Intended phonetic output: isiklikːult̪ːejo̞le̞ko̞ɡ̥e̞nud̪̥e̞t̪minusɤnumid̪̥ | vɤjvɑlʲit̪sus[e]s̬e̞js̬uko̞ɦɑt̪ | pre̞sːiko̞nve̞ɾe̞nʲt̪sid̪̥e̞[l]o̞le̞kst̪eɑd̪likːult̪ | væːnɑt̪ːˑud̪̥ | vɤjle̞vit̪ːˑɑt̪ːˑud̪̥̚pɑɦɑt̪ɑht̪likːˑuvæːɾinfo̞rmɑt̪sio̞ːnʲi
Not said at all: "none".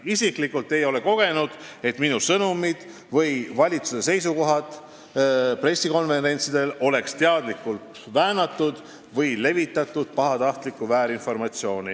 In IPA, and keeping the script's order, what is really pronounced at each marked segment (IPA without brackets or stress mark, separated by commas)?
e, l